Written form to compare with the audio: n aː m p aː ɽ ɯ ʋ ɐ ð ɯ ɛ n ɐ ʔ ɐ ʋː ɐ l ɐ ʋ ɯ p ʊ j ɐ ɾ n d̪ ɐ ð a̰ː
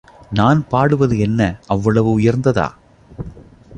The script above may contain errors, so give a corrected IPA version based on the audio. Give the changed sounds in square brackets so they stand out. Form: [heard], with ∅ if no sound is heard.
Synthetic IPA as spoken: n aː [n] p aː ɽ ɯ ʋ ɐ ð ɯ ɛ [nː] ɐ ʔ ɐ ʋː ɐ [ɭ] ɐ ʋ ɯ [∅] ʊ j ɐ ɾ n d̪ ɐ ð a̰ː